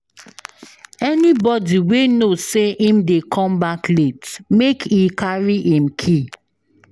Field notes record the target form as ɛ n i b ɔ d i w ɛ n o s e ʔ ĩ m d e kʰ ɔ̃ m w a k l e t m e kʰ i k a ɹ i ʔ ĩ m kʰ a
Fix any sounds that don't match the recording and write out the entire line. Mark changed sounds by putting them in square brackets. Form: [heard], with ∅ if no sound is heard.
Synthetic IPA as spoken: ɛ n i b ɔ d i w [e] n o s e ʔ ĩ m d e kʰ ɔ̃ m [b] a k l e t m e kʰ i k a ɹ i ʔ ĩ m kʰ [i]